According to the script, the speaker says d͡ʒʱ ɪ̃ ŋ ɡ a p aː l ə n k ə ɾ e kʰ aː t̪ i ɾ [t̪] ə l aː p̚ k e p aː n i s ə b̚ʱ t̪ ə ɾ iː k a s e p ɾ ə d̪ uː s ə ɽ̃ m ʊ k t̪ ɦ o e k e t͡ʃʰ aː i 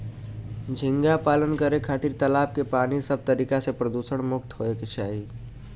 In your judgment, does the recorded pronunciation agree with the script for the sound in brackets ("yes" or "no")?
yes